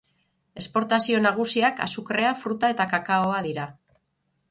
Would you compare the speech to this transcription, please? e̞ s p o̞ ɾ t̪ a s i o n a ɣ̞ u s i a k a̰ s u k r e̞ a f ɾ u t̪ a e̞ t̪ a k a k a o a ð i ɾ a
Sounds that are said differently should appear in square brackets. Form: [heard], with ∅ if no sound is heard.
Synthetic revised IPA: e̞ s p o̞ ɾ t̪ a s i o n a ɣ̞ u s i a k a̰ s u k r e̞ a f ɾ u t̪ a e̞ t̪ a k a k a o a ð i ɾ a